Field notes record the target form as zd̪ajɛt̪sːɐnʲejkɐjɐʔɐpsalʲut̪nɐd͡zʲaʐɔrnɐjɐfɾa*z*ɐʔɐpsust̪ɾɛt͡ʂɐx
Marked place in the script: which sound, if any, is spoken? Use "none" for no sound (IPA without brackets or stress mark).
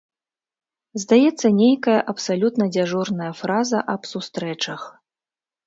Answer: z